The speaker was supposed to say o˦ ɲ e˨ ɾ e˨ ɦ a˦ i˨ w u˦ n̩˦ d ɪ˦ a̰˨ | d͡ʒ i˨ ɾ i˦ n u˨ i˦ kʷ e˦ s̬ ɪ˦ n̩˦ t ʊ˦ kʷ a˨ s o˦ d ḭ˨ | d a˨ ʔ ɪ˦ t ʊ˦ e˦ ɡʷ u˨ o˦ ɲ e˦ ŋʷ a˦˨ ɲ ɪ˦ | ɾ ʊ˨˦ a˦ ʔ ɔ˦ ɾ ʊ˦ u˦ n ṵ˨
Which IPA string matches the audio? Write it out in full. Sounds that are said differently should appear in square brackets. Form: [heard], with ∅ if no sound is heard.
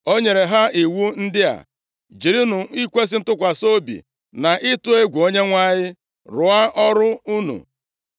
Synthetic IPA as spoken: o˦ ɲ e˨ ɾ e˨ ɦ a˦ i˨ w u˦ n̩˦ d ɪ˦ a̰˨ | d͡ʒ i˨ ɾ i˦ n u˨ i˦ kʷ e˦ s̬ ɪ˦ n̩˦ t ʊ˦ kʷ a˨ s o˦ [b] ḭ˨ | [n] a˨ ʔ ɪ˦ t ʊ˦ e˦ ɡʷ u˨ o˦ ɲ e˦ ŋʷ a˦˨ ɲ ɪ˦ | ɾ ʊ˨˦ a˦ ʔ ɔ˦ ɾ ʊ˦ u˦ n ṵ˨